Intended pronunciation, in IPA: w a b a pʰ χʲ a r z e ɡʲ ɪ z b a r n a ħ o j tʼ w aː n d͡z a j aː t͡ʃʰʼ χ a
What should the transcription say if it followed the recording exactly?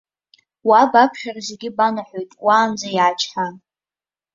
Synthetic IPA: w a b a pʰ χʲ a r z e ɡʲ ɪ b a n a ħ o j tʼ w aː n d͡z a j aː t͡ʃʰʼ ħ a